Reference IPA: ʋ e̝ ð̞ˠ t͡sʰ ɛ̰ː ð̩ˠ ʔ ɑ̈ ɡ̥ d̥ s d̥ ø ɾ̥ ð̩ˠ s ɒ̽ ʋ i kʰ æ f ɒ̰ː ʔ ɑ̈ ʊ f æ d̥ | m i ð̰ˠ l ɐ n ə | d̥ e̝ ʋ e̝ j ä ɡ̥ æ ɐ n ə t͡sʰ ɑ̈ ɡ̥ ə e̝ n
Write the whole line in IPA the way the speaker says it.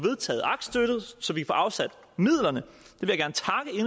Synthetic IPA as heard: ʋ e̝ ð̞ˠ t͡sʰ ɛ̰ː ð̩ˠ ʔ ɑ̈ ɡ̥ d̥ s d̥ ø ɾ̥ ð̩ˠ s ɒ̽ ʋ i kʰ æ f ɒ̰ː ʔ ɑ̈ ʊ s æ d̥ | m i ð̰ˠ l ɐ n ə | d̥ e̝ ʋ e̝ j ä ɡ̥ æ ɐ n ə t͡sʰ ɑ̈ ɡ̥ ə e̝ n